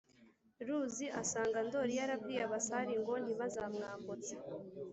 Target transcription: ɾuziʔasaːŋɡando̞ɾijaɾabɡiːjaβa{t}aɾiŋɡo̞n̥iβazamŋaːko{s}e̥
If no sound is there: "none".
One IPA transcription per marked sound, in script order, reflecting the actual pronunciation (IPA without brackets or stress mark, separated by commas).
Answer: s, t͡s